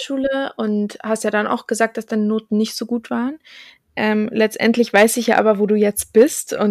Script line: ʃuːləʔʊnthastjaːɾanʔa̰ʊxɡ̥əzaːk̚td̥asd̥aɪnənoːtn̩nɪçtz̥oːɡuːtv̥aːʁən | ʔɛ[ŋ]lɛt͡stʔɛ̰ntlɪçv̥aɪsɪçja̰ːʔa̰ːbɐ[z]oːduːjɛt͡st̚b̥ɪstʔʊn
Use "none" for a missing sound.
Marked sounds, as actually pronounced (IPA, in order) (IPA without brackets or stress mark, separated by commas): m, v